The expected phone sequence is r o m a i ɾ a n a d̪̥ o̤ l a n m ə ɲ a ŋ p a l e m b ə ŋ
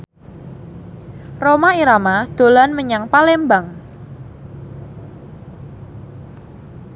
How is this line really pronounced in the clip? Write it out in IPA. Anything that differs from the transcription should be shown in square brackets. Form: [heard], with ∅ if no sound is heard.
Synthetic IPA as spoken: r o m a i ɾ a [m] a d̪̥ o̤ l a n m ə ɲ a ŋ p a l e m b [a] ŋ